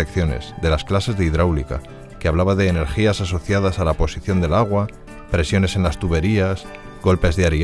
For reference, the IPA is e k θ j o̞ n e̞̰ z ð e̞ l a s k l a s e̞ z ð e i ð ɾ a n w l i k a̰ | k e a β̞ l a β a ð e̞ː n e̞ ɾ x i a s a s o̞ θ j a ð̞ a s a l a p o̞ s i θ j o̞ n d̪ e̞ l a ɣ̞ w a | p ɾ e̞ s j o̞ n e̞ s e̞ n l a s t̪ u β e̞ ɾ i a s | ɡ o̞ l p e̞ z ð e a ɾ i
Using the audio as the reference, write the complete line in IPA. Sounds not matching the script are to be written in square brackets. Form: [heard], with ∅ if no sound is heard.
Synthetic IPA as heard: e k θ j o̞ n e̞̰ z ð e̞ l a s k l a s e̞ z ð e i ð ɾ a [∅] w l i k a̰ | k e a β̞ l a β a ð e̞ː n e̞ ɾ x i a s a s o̞ θ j a ð̞ a s a l a p o̞ s i θ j o̞ n d̪ e̞ l a ɣ̞ w a | p ɾ e̞ s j o̞ n e̞ s e̞ n l a s t̪ u β e̞ ɾ i a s | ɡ o̞ l p e̞ z ð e a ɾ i